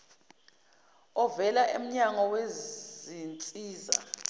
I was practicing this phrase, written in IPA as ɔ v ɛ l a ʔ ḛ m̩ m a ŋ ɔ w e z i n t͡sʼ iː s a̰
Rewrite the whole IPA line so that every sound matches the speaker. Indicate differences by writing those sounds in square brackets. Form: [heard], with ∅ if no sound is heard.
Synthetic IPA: ɔ v ɛ l a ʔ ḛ m̩ [ɲ] a ŋ ɔ w e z i n t͡sʼ iː [z] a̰